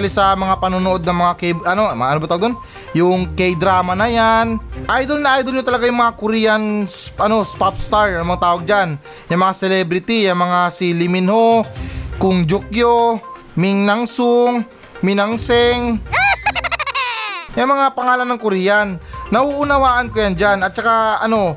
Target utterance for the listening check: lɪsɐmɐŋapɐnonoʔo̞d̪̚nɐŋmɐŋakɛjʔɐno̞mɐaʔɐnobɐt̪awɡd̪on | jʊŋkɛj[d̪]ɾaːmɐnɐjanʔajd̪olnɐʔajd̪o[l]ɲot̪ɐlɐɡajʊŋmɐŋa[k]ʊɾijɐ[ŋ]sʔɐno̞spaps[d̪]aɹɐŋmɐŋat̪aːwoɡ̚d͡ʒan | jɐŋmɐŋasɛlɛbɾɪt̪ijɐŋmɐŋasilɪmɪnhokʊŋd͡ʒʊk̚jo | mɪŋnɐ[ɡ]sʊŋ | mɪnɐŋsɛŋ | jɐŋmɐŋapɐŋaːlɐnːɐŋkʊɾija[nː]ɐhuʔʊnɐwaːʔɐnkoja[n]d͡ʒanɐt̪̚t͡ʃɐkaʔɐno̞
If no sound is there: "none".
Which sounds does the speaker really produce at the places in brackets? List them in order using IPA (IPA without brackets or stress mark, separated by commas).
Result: d̪, l, k, n, t̪, ŋ, nː, n